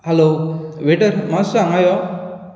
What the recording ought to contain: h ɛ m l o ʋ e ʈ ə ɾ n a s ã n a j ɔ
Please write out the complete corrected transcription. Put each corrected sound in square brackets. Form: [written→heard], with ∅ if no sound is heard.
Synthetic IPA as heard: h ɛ [m→∅] l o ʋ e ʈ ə ɾ [n→m] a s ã [n→ŋ] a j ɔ